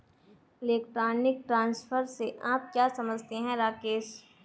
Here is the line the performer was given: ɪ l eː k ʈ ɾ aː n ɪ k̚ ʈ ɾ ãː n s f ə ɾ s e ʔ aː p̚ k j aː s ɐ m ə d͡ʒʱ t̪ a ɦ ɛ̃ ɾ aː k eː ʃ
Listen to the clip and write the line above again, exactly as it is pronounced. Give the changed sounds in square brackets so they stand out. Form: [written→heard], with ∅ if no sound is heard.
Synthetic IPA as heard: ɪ l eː k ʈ ɾ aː n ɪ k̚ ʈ ɾ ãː n s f ə ɾ s e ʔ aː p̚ k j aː s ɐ m ə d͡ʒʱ t̪ [a→e] ɦ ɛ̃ ɾ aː k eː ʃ